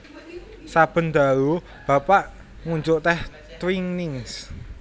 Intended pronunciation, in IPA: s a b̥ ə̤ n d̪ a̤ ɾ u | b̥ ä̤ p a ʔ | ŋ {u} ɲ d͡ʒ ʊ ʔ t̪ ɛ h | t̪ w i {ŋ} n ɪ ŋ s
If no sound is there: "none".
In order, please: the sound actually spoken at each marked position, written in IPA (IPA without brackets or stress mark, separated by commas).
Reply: u, ŋ